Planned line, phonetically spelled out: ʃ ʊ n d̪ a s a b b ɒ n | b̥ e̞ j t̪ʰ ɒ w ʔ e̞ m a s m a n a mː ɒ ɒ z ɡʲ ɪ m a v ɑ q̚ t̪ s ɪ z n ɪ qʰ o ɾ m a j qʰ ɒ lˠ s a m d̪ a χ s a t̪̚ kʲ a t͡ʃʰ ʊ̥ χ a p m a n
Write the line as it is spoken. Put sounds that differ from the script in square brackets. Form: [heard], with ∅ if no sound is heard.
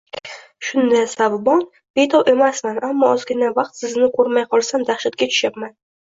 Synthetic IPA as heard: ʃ ʊ n d̪ a s a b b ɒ n | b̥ e̞ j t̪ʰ ɒ w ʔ e̞ m a s m a n a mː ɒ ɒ z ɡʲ ɪ [n] a v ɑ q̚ t̪ s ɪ z n ɪ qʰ o ɾ m a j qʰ ɒ lˠ s a m d̪ a χ [ʃ] a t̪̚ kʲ a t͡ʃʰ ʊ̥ [ʃ] a p m a n